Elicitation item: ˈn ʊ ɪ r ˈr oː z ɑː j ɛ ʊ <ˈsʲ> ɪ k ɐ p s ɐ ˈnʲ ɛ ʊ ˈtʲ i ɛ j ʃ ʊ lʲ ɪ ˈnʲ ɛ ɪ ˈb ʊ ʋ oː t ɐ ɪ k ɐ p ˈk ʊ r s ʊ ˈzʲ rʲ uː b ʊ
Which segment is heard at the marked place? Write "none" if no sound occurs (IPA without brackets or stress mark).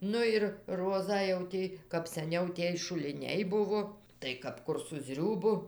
tʲ